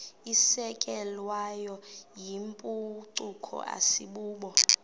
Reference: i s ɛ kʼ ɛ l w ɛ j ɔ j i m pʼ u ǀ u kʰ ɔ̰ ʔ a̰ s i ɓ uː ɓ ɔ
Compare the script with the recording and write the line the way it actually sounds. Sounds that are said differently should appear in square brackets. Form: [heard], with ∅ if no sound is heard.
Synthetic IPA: i s ɛ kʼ ɛ l w [a] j ɔ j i m pʼ u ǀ u kʰ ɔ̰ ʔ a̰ s i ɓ uː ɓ ɔ